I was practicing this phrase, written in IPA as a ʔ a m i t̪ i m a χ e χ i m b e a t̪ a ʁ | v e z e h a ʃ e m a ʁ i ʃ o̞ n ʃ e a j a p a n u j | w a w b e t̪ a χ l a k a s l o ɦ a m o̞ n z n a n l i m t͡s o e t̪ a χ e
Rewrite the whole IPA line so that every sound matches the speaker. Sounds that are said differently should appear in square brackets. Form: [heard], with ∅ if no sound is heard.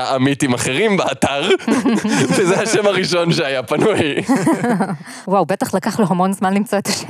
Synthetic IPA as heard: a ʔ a m i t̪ i m a χ e [ʁ] i m b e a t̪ a ʁ | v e z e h a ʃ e m a ʁ i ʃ o̞ n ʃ e a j a p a n u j | w a w b e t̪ a χ l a k a [χ] l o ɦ a m o̞ n z [m] a n l i m t͡s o e t̪ a [ʃ] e